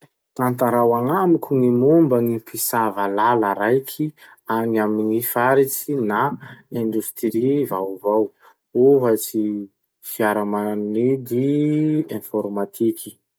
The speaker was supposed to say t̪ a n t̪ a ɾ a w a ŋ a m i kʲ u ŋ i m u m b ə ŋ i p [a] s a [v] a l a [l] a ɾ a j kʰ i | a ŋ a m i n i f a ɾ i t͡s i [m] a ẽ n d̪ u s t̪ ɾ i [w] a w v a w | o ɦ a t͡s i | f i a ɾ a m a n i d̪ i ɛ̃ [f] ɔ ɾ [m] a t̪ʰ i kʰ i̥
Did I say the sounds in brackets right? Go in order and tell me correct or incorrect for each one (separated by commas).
incorrect, correct, correct, incorrect, incorrect, correct, correct